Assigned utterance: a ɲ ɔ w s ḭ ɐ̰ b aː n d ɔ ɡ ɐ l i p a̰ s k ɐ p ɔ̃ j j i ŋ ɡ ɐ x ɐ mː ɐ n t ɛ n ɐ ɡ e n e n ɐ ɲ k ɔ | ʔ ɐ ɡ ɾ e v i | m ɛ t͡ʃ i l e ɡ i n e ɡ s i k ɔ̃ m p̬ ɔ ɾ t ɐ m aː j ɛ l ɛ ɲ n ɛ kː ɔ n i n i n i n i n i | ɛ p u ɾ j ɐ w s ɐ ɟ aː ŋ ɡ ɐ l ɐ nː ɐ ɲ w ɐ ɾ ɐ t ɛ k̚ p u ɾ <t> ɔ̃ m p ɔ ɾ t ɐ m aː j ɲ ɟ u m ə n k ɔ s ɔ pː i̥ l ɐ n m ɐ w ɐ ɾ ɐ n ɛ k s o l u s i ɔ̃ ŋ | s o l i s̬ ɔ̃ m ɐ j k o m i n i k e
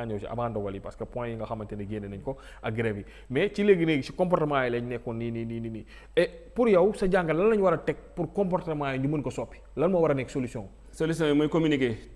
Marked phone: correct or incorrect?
incorrect: k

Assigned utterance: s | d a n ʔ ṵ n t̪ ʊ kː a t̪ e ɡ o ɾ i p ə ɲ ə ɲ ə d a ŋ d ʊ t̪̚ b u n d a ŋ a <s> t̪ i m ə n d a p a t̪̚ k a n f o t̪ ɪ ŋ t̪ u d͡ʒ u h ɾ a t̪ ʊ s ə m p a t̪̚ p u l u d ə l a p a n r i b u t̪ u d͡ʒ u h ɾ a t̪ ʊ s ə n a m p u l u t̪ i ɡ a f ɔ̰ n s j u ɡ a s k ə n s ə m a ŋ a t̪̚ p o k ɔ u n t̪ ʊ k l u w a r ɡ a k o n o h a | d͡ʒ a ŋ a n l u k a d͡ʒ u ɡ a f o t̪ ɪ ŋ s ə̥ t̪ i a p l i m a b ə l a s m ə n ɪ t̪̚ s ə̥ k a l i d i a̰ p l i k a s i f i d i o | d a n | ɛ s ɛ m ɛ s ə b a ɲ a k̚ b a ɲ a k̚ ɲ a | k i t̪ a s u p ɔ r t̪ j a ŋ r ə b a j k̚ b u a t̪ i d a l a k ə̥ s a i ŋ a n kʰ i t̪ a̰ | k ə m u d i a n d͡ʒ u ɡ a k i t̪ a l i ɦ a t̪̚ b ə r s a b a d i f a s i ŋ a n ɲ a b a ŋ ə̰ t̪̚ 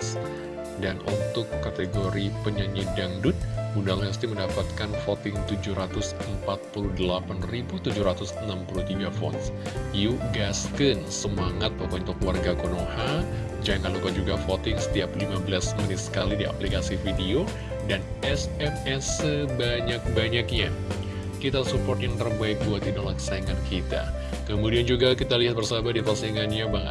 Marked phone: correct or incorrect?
correct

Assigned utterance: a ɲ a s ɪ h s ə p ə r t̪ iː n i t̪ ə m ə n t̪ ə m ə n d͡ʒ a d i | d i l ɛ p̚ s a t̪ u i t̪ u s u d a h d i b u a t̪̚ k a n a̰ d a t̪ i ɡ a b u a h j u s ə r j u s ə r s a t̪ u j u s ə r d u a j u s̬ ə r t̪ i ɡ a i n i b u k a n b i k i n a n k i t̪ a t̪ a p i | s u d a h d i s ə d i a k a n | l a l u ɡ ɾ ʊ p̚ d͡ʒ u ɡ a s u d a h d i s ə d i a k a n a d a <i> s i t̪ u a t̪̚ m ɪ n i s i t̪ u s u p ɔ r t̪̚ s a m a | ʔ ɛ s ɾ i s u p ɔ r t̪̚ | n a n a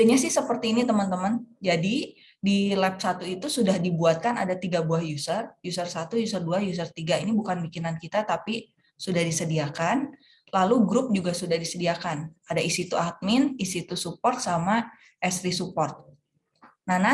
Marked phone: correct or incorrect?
correct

